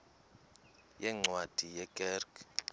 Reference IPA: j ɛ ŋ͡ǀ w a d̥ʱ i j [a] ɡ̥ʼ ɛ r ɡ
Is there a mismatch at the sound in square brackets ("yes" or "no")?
yes